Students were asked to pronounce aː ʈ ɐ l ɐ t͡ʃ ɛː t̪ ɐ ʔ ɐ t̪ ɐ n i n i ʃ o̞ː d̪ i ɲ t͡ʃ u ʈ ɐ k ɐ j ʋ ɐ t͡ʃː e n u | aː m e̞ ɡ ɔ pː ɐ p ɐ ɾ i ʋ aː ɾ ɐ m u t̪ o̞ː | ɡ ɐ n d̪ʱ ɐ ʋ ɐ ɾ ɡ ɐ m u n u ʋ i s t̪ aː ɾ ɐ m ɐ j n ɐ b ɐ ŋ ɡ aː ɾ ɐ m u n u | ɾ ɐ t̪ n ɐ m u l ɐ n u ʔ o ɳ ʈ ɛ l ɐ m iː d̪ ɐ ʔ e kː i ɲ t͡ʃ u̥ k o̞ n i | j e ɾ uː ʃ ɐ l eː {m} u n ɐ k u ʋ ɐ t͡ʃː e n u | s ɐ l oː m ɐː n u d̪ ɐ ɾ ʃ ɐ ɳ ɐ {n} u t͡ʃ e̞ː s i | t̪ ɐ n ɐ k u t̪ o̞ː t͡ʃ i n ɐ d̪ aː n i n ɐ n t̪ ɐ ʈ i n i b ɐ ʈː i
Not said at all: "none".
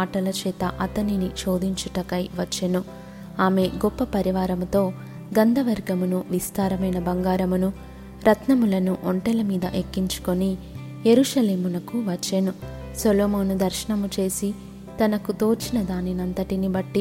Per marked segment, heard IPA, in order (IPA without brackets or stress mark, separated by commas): m, m